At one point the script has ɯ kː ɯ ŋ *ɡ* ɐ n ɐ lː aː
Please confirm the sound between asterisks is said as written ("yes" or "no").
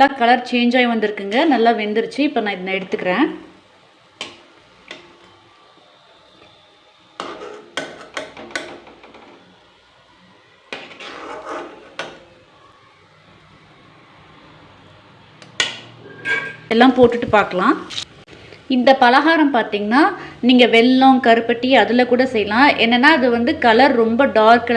yes